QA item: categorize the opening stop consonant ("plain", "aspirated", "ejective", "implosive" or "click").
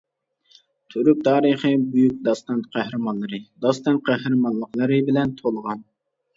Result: aspirated